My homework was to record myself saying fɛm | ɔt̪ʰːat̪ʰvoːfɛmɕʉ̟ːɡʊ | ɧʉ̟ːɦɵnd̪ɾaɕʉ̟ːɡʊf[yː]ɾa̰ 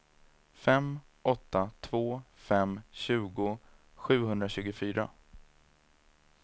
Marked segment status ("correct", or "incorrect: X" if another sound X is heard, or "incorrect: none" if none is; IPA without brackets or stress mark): correct